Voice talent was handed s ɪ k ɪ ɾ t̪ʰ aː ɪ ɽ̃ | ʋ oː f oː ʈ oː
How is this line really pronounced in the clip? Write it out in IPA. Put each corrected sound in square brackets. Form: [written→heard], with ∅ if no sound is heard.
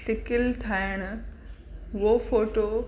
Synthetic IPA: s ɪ k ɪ [ɾ→l] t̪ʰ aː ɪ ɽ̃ | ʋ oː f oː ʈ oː